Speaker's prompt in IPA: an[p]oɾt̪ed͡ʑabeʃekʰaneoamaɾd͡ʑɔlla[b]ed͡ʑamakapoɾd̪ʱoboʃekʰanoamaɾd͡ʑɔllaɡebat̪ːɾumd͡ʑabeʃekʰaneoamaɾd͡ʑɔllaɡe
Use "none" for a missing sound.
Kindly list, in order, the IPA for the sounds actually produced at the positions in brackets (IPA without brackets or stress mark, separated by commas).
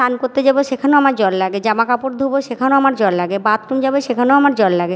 k, ɡ